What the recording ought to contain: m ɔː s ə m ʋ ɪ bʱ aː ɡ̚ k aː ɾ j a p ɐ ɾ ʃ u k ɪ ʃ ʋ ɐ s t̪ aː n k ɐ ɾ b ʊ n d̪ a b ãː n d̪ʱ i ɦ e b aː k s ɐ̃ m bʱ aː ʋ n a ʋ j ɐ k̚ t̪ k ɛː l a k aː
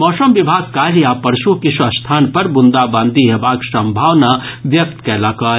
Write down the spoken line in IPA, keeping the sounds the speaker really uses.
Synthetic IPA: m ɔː s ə m ʋ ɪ bʱ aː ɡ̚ k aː ɾ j a p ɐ ɾ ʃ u k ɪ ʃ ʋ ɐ s t̪ʰ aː n p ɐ ɾ b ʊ n d̪ a b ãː n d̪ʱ i ɦ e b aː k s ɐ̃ m bʱ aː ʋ n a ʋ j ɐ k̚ t̪ k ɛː l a k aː

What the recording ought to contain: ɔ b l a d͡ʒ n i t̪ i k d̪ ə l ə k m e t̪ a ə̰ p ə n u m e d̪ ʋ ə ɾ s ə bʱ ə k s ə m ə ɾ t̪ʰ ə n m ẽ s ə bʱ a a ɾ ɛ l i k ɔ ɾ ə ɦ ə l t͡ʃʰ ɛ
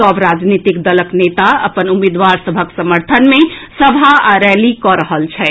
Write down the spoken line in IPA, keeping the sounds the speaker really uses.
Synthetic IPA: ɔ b ɾ a d͡ʒ n i t̪ i k d̪ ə l ə k n e t̪ a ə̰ p ə n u m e d̪ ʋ a ɾ s ə bʱ ə k s ə m ə ɾ t̪ʰ ə n m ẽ s ə bʱ a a ɾ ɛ l i k ɔ ɾ ə ɦ ə l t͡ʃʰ ɛ

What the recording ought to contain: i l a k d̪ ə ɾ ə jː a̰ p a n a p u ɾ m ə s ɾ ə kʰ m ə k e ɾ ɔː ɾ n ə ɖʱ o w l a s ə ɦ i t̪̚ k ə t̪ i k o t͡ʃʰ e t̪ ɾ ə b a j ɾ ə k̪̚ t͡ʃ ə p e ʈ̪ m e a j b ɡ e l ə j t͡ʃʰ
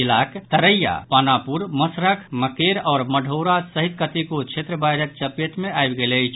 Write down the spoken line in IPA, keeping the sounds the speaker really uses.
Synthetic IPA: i l a k t̪ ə ɾ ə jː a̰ p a n a p u ɾ m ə s ɾ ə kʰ m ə k e ɾ ɔː ɾ m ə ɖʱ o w ɾ a s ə ɦ i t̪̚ k ə t̪ i k o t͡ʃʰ e t̪ ɾ ə b a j ɾ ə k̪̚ t͡ʃ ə p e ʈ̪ m e a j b ɡ e l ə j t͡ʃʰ

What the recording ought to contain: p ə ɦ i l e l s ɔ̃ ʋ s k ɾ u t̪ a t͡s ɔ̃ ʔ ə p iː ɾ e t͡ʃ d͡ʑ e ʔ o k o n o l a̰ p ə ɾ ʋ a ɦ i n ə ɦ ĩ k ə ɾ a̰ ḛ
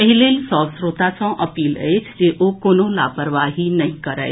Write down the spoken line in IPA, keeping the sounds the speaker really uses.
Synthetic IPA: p ə ɦ i l e l s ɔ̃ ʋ s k ɾ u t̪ a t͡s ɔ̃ ʔ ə p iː l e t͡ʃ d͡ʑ e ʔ o k o n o l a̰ p ə ɾ ʋ a ɦ i n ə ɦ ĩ k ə ɾ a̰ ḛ

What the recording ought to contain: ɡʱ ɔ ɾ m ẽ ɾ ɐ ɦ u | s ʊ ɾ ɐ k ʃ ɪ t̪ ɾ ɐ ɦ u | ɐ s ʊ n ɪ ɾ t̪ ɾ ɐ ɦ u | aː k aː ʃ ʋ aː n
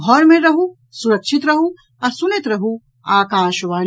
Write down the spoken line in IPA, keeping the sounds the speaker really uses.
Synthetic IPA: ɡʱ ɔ ɾ m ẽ ɾ ɐ ɦ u | s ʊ ɾ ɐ k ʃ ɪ t̪ ɾ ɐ ɦ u | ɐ s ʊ n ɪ t̪ ɾ ɐ ɦ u | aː k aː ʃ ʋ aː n

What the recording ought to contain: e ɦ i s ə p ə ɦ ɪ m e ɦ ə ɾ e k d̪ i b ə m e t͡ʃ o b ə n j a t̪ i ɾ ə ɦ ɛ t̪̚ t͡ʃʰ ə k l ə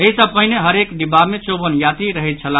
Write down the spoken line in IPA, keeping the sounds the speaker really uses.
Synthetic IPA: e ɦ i s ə p ə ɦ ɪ n e ɦ ə ɾ e k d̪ i b a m e t͡ʃ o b ə n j a t̪ i ɾ ə ɦ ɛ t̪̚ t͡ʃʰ ə l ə

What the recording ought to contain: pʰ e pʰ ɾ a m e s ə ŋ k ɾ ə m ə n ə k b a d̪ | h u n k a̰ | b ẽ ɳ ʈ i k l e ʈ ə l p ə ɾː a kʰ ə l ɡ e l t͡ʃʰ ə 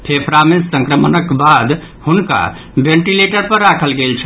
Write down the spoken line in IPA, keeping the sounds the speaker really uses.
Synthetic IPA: pʰ e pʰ ɾ a m e s ə ŋ k ɾ ə m ə n ə k b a d̪ | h u n k a̰ | b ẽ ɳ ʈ i l e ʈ ə ɾ p ə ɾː a kʰ ə l ɡ e l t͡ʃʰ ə

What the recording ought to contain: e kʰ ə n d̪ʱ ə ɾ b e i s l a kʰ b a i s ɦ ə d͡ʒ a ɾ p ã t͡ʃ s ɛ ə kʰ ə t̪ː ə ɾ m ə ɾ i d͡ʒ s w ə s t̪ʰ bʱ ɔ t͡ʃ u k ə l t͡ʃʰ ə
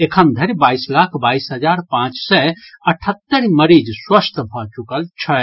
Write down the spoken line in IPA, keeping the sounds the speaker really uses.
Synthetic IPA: e kʰ ə n d̪ʱ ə ɾ b a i s l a kʰ b a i s ɦ ə d͡ʒ a ɾ p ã t͡ʃ s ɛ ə ʈʰ ə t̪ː ə ɾ m ə ɾ i d͡ʒ s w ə s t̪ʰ bʱ ɔ t͡ʃ u k ə l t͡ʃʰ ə

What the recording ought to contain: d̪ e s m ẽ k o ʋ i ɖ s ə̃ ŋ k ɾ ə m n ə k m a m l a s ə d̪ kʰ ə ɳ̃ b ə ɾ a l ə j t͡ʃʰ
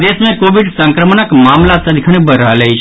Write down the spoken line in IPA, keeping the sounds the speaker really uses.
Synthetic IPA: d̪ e s m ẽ k o ʋ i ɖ s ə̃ ŋ k ɾ ə m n ə k m a m l a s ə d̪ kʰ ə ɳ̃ b ə ɾ a l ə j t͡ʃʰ

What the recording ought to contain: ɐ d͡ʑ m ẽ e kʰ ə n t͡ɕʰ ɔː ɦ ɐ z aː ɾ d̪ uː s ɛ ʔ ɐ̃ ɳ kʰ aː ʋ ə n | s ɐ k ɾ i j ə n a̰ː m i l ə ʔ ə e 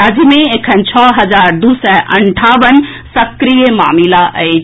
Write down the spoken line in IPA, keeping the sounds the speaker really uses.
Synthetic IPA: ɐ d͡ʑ m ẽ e kʰ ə n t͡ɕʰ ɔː ɦ ɐ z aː ɾ d̪ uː s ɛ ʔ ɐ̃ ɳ ʈʰ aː ʋ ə n | s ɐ k ɾ i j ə m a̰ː m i l a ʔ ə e

